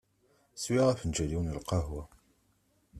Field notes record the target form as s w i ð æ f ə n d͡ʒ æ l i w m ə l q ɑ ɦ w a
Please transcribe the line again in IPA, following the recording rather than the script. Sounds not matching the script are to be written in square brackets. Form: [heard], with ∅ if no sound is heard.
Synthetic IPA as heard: s w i [ʁ] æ f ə n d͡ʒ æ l i w [n] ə l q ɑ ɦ w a

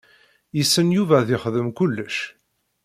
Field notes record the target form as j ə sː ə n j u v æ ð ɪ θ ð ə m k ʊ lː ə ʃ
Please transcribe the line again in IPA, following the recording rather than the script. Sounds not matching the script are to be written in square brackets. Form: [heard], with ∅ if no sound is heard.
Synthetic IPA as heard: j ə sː ə n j u v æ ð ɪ [χ] ð ə m k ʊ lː ə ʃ

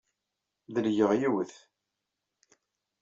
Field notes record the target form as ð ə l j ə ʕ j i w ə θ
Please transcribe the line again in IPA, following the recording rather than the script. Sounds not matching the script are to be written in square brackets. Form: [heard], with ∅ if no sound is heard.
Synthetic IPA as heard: ð ə l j ə [ʁ] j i w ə θ

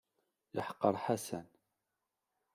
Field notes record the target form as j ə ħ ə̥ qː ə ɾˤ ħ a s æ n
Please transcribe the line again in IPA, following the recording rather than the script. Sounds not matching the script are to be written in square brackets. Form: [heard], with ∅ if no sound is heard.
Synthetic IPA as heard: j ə ħ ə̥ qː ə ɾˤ ħ a s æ n

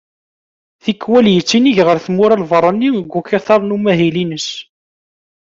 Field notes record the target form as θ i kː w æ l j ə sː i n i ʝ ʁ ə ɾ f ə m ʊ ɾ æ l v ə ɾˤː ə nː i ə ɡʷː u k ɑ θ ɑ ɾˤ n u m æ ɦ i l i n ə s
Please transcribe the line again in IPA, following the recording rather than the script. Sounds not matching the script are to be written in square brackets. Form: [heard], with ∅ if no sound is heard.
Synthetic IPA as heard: θ i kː w æ l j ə [t͡sː] i n i ʝ ʁ ə ɾ [θ] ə m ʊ ɾ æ l v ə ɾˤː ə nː i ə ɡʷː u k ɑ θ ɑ ɾˤ n u m æ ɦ i l i n ə s

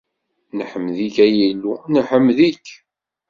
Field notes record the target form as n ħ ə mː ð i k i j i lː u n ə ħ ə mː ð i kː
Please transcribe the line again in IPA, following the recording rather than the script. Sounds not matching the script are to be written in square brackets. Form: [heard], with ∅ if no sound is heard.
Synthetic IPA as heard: n ħ ə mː ð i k [æ] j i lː u n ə ħ ə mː ð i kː

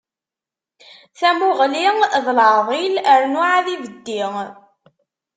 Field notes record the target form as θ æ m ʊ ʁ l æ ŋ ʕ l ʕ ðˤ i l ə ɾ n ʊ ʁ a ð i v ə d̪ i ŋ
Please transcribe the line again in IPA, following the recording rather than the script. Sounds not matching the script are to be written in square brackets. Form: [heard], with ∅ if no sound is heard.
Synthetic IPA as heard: θ æ m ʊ ʁ l [i] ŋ [ð] l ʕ ðˤ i l ə ɾ n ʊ [ʕ] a ð i v ə [d̪ː] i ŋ

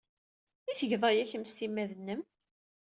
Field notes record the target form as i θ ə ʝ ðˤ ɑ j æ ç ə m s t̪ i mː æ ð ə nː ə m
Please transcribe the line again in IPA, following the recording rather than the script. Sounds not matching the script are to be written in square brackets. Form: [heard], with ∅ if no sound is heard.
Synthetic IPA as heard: i θ ə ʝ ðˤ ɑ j æ ç ə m s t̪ i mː æ ð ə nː ə m

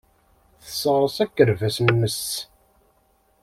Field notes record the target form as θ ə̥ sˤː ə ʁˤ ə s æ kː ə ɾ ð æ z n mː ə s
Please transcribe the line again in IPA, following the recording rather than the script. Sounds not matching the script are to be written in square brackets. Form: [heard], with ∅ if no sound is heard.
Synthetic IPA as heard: θ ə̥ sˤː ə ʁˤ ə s æ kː ə ɾ [v] æ [s] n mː ə s

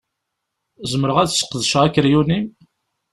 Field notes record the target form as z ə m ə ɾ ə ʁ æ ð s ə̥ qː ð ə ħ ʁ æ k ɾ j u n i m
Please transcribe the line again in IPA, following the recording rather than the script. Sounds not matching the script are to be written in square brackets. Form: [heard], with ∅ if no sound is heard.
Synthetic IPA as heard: z ə m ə ɾ ə ʁ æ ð s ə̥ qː ð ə [ʃ] ʁ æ k ɾ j u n i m

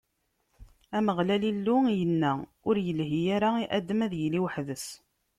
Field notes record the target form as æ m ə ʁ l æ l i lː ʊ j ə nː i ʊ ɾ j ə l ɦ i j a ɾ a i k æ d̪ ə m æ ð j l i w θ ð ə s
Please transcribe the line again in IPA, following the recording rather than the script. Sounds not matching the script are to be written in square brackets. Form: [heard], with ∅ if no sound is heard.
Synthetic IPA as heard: æ m ə ʁ l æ l i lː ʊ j ə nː [æ] ʊ ɾ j ə l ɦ i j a ɾ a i [ʔ] æ d̪ ə m æ ð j l i w [ħ] ð ə s

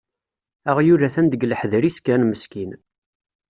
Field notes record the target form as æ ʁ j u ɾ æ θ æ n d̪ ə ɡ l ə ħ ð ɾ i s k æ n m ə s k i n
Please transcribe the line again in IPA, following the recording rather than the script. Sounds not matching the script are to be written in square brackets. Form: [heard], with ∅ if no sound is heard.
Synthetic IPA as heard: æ ʁ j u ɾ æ θ æ n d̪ ə ɡ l ə ħ ð ɾ i s k æ n m ə s k i n

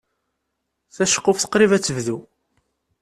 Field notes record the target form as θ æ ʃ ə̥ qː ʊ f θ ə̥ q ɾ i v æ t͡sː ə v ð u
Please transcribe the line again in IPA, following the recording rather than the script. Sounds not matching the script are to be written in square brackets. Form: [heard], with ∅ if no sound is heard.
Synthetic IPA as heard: θ æ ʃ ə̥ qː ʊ f θ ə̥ q ɾ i v æ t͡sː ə v ð u

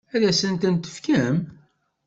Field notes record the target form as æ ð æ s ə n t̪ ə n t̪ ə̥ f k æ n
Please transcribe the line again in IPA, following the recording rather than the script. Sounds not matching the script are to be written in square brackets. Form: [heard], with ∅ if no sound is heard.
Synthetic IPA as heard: æ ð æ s ə n t̪ ə n t̪ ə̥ f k æ [m]

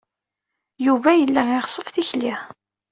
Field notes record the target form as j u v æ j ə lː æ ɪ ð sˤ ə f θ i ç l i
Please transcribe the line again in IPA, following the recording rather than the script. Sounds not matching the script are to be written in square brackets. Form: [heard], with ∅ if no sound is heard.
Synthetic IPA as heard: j u v æ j ə lː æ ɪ [ʁ] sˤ ə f θ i ç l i

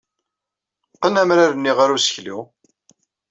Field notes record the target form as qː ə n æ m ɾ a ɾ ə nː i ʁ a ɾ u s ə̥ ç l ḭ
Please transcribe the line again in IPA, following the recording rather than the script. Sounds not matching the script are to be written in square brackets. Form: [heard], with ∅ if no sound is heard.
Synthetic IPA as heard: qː ə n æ m ɾ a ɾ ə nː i ʁ a ɾ u s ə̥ ç l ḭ

